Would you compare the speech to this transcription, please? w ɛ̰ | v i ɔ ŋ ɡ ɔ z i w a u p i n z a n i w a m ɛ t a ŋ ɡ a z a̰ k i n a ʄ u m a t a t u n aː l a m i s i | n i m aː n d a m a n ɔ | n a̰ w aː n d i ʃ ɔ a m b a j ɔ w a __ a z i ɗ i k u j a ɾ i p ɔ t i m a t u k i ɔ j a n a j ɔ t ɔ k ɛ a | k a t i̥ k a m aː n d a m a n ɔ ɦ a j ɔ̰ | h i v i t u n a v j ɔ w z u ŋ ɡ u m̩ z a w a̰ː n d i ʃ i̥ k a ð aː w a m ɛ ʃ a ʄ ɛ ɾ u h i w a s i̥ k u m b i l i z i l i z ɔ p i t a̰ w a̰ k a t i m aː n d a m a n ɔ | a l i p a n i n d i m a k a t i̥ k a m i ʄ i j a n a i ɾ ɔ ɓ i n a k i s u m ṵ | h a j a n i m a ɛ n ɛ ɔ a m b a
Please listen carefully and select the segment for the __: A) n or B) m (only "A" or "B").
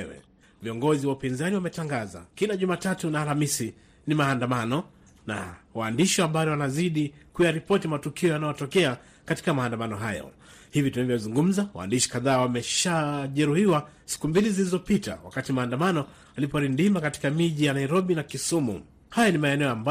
A